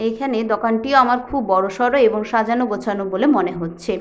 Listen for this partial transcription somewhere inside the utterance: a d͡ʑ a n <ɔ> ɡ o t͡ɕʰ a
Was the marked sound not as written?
yes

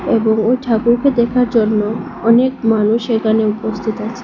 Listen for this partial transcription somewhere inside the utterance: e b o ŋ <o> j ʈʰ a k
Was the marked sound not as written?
no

